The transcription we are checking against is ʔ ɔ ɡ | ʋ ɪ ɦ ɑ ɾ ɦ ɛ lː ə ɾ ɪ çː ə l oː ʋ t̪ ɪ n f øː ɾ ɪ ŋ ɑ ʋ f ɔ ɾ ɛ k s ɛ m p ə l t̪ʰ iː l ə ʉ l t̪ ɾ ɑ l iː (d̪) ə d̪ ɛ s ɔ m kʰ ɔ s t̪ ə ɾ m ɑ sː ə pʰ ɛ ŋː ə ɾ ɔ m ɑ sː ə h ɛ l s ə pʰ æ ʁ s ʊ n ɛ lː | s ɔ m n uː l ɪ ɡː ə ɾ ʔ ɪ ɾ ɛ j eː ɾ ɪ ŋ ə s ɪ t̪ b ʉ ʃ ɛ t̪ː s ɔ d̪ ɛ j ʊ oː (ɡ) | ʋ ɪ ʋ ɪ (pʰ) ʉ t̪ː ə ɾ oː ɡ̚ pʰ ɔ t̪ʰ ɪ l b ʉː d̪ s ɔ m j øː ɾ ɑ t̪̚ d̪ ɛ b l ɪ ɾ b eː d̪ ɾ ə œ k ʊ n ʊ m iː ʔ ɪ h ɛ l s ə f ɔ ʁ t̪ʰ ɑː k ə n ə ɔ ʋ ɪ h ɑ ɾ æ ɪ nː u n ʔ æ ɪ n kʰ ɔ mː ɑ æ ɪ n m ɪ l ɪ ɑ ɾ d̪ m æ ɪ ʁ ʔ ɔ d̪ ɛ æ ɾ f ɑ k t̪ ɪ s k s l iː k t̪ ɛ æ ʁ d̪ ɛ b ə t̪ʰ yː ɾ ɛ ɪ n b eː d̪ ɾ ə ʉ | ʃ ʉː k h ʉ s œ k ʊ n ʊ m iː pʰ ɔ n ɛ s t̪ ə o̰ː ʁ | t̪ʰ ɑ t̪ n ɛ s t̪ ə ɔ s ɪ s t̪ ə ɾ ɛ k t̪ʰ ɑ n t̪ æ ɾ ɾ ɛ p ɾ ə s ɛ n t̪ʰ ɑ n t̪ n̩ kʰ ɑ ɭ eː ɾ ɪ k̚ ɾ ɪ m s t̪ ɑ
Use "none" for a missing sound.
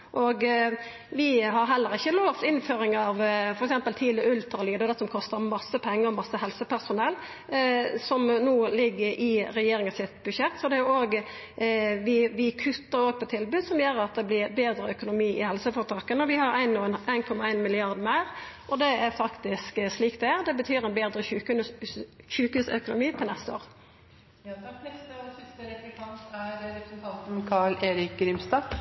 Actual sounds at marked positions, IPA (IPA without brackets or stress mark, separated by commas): d̪, ɡ, kʰ